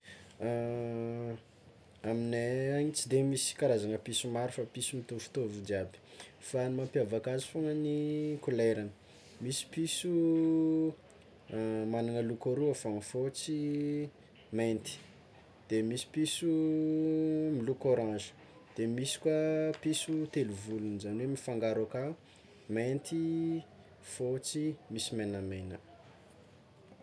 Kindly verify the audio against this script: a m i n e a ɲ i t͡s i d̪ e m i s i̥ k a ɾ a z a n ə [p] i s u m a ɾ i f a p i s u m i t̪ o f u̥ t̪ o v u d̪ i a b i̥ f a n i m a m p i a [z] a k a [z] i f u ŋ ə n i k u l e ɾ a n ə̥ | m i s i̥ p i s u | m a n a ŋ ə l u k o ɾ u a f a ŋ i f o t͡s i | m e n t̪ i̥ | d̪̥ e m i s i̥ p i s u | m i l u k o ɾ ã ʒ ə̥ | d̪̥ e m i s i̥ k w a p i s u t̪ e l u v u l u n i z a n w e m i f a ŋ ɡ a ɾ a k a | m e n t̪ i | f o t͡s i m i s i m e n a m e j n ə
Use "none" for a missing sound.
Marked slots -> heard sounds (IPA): p, v, z

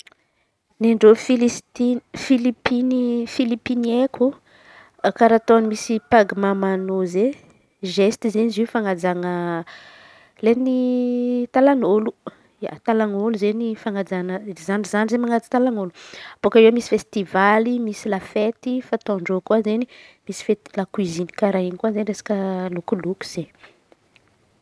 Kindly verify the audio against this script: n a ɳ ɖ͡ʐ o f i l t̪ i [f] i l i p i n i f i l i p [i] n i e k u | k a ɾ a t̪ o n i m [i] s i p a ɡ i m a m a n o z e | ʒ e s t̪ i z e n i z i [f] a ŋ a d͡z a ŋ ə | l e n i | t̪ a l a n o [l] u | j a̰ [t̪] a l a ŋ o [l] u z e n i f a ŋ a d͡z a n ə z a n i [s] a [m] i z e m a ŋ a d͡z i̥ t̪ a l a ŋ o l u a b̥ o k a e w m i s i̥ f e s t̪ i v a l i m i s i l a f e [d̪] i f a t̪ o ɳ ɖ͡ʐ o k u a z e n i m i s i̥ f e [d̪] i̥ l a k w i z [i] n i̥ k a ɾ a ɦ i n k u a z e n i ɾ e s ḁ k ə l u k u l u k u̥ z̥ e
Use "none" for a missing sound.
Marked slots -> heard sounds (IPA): f, i, i, f, l, t̪, l, z, n, t̪, t̪, i

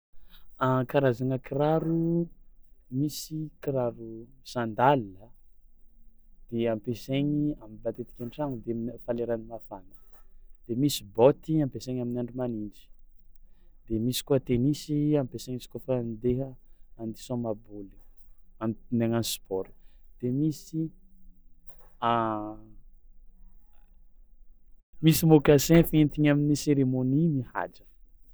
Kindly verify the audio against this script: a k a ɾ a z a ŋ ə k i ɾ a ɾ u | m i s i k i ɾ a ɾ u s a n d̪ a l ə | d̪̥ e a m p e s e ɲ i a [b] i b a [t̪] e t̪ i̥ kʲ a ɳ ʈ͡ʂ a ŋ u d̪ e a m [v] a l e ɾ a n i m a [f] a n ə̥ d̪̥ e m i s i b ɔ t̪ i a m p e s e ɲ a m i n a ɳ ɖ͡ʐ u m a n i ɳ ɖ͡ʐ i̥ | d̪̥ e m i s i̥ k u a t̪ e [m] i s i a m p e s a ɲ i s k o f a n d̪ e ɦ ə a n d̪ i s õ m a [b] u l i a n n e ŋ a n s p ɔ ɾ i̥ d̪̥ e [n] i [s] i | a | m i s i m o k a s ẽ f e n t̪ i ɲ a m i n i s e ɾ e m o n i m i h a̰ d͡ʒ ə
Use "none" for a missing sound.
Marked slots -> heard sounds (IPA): m, t̪, f, f, n, b, m, s

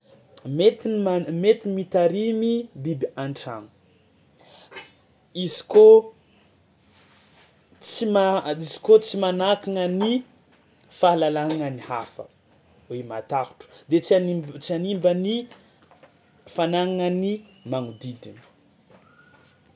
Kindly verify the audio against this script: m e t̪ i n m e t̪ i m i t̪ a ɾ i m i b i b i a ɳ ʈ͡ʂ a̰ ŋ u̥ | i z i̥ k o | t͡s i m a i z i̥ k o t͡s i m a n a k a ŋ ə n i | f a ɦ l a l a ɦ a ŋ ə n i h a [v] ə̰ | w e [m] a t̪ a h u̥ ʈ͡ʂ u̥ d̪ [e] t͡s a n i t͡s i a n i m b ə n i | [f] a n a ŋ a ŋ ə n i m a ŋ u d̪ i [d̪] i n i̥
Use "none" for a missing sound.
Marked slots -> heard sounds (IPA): f, m, e, f, d̪

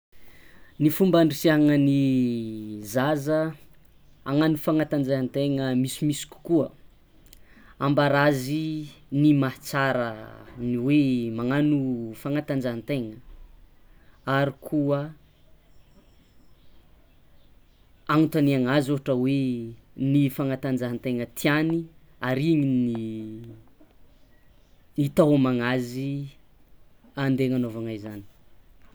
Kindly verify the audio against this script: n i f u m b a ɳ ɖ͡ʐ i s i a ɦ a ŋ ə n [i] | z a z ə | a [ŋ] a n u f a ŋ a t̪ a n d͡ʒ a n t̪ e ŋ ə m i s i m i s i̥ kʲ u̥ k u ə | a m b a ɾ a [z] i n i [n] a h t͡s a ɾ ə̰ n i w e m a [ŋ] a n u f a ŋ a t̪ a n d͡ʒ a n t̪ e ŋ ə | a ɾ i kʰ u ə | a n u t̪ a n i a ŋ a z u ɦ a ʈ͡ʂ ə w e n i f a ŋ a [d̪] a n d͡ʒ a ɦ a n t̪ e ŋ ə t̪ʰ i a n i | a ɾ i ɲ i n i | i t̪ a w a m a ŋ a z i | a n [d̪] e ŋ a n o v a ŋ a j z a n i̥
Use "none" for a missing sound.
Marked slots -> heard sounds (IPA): i, ŋ, z, m, ŋ, t̪, d̪

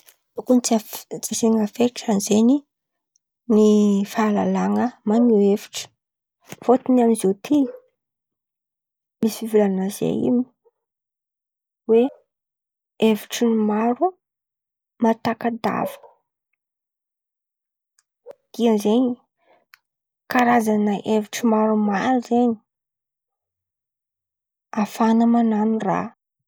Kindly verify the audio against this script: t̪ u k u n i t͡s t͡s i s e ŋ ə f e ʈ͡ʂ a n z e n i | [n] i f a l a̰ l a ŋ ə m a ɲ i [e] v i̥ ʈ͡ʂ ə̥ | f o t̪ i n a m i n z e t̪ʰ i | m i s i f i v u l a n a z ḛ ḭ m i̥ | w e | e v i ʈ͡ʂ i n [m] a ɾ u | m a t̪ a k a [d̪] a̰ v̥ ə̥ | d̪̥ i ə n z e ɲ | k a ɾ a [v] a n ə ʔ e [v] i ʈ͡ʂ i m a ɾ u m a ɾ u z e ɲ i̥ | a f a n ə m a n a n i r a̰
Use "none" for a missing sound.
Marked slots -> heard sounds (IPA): n, e, m, d̪, z, v

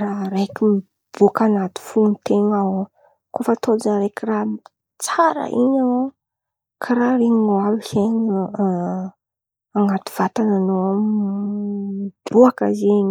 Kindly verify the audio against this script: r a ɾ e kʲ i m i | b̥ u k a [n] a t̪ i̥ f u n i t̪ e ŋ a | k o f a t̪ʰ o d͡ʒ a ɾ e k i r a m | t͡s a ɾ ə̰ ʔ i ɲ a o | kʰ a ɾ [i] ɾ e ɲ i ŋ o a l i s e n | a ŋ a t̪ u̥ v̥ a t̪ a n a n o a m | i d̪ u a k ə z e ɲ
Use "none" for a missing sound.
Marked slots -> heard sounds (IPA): n, a

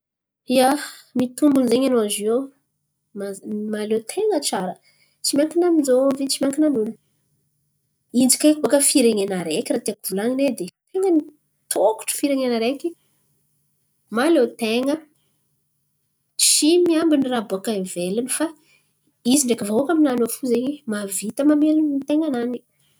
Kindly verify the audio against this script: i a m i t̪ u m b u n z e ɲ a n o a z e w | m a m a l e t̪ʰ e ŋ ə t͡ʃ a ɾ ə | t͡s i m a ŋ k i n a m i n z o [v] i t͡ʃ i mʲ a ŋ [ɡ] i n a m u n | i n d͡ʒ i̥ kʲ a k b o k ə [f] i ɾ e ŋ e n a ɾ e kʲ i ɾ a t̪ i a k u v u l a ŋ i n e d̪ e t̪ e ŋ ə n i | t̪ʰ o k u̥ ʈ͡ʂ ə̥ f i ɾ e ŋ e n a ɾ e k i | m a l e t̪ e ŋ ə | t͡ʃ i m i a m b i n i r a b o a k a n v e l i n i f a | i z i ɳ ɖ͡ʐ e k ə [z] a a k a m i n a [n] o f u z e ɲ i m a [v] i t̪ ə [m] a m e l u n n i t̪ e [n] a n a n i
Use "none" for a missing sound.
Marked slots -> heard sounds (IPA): v, k, f, v, n, v, m, ŋ

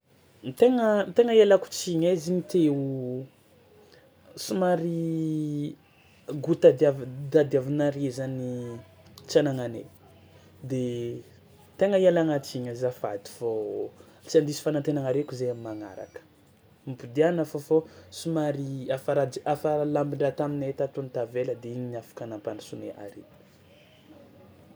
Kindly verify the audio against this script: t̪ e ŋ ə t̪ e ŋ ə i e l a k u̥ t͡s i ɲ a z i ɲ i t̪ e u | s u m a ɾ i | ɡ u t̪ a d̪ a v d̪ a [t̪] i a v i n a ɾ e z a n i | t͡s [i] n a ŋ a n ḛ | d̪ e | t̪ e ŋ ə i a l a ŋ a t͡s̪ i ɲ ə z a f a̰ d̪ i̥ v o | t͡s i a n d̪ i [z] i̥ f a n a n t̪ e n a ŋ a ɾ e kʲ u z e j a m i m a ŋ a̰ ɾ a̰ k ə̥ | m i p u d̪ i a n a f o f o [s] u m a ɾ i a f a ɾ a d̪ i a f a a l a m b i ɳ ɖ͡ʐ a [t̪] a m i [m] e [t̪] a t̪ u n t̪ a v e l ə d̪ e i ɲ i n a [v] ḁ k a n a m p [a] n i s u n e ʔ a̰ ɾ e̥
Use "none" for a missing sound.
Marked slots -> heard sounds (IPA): d̪, a, s, s, t̪, n, t̪, f, a

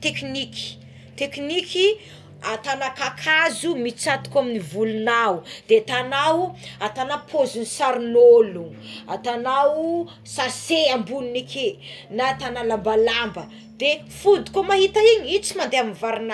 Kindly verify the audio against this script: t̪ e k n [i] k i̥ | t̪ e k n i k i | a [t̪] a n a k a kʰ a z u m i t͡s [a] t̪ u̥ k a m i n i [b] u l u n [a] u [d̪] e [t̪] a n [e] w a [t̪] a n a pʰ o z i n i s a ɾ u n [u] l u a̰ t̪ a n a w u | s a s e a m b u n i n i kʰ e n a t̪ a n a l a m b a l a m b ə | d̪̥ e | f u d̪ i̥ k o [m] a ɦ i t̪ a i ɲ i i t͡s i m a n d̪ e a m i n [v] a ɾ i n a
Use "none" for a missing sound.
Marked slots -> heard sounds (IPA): i, t̪, a, v, a, d̪, t̪, a, t̪, o, m, v

